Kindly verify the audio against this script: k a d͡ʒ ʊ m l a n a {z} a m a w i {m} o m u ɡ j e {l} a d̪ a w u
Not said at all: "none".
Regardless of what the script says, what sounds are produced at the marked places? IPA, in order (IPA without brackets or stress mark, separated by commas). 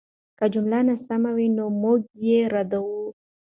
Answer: s, n, ɾ